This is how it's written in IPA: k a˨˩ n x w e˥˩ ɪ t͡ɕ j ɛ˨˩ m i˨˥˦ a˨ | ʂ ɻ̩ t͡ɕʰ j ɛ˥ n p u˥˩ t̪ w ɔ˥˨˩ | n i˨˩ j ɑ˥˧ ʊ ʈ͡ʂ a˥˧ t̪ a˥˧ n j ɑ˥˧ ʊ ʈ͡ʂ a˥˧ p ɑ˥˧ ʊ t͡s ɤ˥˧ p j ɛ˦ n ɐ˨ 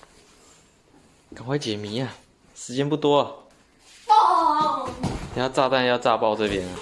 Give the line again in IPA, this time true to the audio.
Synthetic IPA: k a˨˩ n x w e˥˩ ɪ t͡ɕ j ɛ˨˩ m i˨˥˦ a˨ | ʂ ɻ̩ t͡ɕ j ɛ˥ n p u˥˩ t̪ w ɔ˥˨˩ | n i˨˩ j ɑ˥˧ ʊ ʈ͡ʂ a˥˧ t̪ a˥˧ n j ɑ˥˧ ʊ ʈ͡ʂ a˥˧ p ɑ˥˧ ʊ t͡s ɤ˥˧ p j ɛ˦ n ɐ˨